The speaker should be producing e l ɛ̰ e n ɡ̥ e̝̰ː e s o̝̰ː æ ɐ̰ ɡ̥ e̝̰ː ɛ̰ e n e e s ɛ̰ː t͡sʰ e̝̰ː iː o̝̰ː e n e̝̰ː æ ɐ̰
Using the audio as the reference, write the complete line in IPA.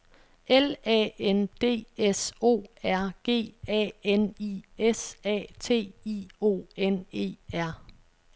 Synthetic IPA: e l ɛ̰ e n d̥ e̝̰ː e s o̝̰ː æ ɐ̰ ɡ̥ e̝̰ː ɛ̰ e n i e s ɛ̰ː t͡sʰ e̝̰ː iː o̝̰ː e n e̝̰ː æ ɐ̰